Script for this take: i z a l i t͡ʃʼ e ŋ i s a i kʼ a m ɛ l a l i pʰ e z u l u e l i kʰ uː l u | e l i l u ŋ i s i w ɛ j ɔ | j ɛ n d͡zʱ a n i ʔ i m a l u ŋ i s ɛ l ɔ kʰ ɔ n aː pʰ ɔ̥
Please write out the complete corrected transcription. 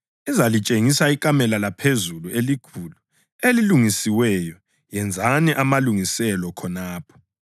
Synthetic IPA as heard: i z a l i t͡ʃʼ e ŋ i s a i kʼ a m ɛ l a l a pʰ e z u l u e l i kʰ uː l u | e l i l u ŋ i s i w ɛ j ɔ | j ɛ n d͡zʱ a n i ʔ a m a l u ŋ i s ɛ l ɔ kʰ ɔ n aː pʰ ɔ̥